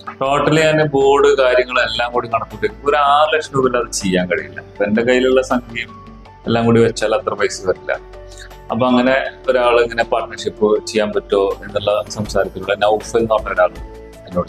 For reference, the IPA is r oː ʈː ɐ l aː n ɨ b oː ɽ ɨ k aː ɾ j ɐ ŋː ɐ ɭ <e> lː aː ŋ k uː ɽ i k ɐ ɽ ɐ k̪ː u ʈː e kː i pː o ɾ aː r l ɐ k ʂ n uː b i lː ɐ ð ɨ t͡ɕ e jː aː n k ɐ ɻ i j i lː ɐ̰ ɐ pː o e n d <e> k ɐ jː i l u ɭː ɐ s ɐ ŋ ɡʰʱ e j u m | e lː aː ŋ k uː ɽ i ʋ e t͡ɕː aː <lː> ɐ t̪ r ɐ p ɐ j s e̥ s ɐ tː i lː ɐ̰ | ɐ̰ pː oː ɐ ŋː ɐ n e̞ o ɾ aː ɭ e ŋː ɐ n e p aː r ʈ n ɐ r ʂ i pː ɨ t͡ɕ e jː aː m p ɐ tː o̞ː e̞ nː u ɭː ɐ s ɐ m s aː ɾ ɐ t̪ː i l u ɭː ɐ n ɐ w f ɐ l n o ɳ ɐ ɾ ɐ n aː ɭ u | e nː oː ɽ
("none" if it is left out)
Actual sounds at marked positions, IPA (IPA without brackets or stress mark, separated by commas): e, e, l